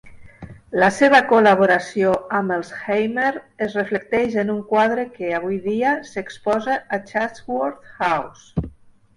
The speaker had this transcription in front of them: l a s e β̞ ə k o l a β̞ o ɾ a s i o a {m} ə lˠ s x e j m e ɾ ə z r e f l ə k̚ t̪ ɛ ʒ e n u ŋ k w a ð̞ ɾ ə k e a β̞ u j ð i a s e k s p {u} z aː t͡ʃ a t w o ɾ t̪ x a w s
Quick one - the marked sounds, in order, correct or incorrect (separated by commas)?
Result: correct, incorrect